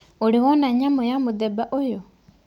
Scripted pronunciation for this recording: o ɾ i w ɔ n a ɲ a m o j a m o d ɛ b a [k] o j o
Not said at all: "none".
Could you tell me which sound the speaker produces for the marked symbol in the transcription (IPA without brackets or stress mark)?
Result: ʔ